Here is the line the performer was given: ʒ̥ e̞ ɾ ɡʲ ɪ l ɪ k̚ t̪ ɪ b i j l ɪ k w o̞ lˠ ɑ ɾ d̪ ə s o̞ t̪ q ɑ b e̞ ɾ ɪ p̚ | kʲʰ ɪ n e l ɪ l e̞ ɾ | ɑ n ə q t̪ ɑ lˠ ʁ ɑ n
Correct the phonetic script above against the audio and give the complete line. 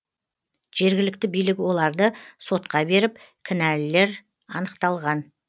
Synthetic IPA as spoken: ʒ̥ e̞ ɾ ɡʲ ɪ l ɪ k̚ t̪ ɪ b i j l ɪ k w o̞ lˠ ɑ ɾ d̪ ə s o̞ t̪ q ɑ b e̞ ɾ ɪ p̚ | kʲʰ ɪ n æ l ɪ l e̞ ɾ | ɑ n ə q t̪ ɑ lˠ ʁ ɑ n